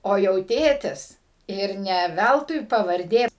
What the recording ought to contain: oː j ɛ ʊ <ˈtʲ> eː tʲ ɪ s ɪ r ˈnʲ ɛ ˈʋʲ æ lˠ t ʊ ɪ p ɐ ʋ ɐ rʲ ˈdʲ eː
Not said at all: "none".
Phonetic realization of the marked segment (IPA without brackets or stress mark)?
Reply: tʲ